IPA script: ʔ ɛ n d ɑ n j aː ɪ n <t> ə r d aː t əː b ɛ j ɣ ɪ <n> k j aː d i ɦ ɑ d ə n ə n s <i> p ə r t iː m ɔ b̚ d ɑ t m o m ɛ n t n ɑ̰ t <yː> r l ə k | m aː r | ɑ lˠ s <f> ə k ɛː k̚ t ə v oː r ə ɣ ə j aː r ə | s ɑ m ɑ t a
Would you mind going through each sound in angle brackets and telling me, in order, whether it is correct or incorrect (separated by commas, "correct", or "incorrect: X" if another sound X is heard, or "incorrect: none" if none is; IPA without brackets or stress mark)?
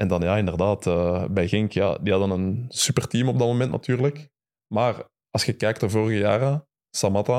incorrect: d, incorrect: ŋ, incorrect: y, correct, incorrect: x